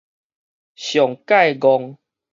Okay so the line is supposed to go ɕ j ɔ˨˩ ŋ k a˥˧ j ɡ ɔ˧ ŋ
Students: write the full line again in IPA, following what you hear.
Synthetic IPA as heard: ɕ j ɔ˨˩ ŋ k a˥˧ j ɡ ɔ˧ ŋ